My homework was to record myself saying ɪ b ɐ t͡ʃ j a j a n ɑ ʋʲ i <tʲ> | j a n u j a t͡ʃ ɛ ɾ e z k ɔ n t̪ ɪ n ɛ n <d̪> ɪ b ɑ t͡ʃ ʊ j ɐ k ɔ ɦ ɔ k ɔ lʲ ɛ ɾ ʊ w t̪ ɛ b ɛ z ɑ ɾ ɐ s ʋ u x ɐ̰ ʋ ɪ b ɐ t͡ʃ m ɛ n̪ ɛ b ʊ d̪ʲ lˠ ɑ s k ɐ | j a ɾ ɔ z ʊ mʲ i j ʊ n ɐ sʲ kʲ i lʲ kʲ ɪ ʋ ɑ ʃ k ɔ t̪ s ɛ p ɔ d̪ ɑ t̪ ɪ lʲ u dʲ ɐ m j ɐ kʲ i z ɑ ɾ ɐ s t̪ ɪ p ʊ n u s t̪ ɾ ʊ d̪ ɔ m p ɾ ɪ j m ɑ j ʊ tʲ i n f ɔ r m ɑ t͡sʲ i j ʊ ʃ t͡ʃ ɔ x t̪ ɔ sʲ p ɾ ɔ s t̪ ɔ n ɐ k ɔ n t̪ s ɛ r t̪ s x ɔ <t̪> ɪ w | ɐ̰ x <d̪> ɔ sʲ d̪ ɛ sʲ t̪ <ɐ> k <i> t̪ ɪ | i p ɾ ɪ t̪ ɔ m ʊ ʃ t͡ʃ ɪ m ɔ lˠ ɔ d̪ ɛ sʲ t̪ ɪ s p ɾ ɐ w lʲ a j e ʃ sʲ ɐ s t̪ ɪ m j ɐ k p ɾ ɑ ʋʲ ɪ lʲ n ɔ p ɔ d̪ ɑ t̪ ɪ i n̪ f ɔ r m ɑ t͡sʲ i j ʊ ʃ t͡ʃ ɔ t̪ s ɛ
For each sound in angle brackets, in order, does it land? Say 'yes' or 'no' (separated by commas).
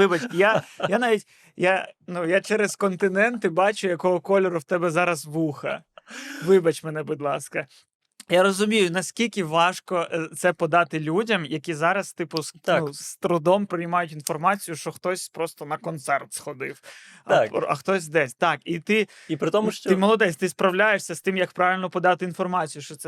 yes, no, no, no, no, yes